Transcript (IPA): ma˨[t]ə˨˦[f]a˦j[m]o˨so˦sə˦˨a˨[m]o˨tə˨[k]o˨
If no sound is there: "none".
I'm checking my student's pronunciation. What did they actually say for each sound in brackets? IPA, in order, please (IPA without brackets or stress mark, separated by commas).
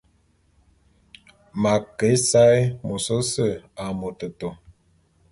k, s, m, m, t